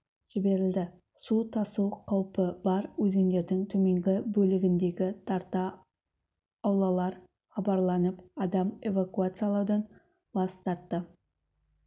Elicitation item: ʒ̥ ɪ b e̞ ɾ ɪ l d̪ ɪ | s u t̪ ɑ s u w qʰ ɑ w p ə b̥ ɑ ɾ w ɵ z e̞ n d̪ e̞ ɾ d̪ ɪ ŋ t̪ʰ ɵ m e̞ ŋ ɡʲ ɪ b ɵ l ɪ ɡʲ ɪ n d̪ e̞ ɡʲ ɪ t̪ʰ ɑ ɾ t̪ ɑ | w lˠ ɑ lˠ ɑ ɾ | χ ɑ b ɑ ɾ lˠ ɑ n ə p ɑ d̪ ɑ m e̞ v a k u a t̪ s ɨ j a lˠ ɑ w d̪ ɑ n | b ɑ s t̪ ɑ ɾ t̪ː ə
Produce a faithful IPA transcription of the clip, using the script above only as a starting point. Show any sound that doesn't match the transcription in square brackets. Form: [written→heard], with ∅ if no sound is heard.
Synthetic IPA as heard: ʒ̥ ɪ b e̞ ɾ ɪ l d̪ ɪ | s u [t̪→t̪ʰ] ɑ s u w qʰ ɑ w p ə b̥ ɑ ɾ w ɵ z e̞ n d̪ e̞ ɾ d̪ ɪ ŋ t̪ʰ ɵ m e̞ ŋ ɡʲ ɪ b ɵ l ɪ ɡʲ ɪ n d̪ e̞ ɡʲ ɪ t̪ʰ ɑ ɾ t̪ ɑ | w lˠ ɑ lˠ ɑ ɾ | χ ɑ b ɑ ɾ lˠ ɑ n ə p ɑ d̪ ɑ m e̞ v a k u a t̪ s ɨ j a lˠ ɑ w d̪ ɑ n | b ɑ s t̪ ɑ ɾ t̪ː ə